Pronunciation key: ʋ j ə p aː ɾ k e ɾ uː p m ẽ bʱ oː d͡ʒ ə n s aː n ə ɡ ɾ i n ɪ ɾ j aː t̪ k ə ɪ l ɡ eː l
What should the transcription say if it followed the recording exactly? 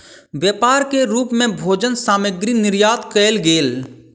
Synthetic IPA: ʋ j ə p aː ɾ k e ɾ uː p m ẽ bʱ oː d͡ʒ ə n s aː m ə ɡ ɾ i n ɪ ɾ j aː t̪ k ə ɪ l ɡ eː l